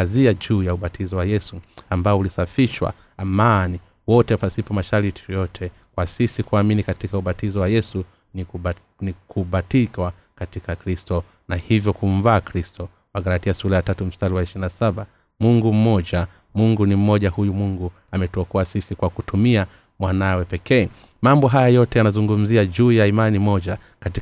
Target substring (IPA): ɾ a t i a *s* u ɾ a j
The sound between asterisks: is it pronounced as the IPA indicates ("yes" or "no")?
yes